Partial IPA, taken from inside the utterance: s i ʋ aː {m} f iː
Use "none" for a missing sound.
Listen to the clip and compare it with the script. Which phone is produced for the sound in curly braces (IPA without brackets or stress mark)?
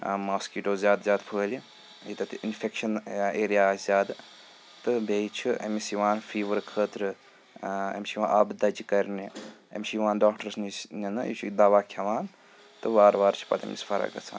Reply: n